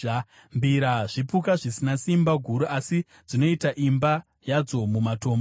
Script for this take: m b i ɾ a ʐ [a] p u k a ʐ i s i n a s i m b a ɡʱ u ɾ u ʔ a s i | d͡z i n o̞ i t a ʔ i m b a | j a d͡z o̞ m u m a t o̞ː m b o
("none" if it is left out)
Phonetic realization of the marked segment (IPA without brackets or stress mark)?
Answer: i